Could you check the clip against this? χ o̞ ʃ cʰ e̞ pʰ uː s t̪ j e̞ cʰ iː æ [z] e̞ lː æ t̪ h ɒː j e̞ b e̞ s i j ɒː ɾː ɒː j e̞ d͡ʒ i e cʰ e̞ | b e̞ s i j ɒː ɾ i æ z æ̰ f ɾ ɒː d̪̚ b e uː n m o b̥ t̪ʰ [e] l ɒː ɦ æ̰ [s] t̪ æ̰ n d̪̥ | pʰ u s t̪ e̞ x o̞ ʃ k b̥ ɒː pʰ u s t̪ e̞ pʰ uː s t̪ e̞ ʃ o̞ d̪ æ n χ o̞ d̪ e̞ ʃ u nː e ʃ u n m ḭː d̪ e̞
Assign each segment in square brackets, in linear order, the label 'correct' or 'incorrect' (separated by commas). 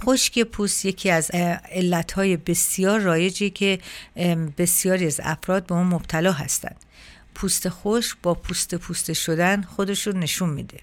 correct, incorrect, correct